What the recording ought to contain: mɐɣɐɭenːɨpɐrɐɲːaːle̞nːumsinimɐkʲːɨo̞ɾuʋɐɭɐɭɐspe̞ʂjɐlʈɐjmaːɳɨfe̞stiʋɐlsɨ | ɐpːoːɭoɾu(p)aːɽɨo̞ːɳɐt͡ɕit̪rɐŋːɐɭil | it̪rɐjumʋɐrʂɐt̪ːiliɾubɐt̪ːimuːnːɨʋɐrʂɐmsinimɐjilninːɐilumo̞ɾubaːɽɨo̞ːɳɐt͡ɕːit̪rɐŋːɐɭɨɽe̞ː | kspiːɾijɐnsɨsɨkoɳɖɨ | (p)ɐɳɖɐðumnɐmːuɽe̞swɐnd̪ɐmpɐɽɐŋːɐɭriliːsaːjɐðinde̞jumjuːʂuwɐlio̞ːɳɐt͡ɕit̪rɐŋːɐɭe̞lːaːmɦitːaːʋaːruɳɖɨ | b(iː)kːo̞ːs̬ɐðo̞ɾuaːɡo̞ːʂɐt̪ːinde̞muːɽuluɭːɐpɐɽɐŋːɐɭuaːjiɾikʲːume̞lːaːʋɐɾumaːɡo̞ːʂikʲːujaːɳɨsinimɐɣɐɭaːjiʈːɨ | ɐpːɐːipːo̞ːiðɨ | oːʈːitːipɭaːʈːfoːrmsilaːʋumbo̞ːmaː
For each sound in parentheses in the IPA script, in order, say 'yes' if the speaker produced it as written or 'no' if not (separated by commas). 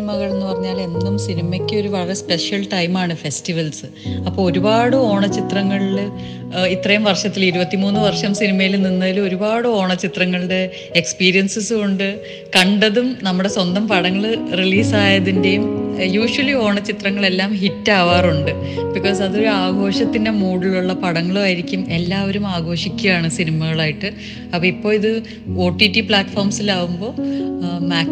no, no, no